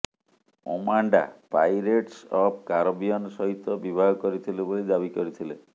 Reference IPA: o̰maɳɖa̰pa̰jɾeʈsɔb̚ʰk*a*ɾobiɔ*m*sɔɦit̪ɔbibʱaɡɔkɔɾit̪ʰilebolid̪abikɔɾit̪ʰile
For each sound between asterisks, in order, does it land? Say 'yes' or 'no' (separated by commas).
yes, no